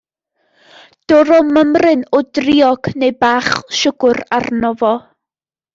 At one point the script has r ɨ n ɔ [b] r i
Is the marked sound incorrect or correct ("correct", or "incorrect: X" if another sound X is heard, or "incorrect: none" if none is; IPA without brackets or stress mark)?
incorrect: d